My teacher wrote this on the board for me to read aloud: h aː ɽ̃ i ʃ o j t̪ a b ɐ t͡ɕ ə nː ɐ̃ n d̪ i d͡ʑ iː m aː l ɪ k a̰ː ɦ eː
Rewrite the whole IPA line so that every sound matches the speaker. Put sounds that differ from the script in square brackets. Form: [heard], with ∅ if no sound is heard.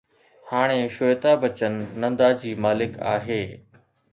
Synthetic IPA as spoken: h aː ɽ̃ [e] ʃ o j t̪ a b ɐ t͡ɕ ə nː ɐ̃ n d̪ [a] d͡ʑ iː m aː l ɪ k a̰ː ɦ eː